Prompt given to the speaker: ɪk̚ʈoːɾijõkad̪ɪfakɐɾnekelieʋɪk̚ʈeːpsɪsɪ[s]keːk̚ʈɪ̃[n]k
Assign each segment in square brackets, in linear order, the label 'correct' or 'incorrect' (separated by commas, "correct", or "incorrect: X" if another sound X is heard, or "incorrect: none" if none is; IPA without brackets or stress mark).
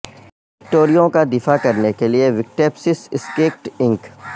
correct, incorrect: ŋ